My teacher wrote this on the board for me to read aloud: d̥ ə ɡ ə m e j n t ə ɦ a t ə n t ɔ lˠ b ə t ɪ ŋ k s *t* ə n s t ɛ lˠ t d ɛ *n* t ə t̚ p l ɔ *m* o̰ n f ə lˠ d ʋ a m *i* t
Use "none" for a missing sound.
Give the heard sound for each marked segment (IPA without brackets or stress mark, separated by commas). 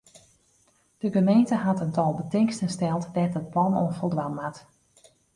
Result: t, none, n, a